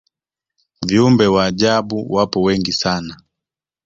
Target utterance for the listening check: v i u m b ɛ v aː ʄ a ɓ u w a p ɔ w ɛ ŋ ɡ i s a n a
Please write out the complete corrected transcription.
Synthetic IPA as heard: v i u m b ɛ w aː ʄ a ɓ u w a p ɔ w ɛ ŋ ɡ i s a n a